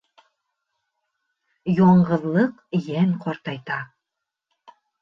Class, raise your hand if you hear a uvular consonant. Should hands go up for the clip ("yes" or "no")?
yes